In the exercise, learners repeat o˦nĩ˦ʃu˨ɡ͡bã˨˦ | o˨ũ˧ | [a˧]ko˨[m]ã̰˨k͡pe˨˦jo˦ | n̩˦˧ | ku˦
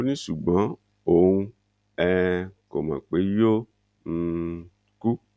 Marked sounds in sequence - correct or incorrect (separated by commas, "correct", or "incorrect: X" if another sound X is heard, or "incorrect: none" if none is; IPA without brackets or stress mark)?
incorrect: ɛ˧, correct